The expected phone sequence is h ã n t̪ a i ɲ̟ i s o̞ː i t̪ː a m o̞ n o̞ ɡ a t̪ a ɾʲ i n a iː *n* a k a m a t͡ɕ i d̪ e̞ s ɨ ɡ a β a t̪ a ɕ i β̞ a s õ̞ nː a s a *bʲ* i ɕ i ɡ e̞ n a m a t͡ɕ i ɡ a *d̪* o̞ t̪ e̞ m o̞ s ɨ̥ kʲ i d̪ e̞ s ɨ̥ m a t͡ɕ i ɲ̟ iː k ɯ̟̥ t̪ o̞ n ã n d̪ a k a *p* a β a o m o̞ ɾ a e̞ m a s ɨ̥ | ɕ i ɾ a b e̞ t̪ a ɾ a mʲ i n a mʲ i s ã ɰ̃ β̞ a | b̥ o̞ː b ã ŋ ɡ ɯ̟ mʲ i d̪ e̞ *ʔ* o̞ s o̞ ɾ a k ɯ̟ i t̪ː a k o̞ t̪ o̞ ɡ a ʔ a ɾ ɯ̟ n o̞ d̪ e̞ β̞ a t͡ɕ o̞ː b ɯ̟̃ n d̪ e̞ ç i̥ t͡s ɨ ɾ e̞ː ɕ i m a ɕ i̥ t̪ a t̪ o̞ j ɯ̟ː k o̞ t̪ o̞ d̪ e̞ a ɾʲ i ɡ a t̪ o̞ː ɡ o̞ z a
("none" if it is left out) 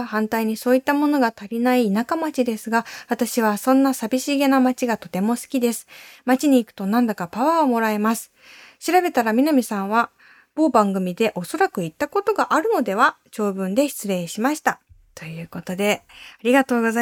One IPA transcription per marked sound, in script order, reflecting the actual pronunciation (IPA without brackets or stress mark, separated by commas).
n, bʲ, t̪, p, ʔ